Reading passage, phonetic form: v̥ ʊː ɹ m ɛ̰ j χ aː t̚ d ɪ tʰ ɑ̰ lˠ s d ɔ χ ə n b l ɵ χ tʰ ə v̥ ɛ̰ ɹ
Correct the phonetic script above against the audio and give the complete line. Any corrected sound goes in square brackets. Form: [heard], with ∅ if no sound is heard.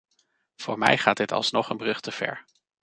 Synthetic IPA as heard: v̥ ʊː ɹ m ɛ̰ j χ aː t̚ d ɪ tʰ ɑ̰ lˠ s [n] ɔ χ ə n b [r] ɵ χ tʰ ə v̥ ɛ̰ ɹ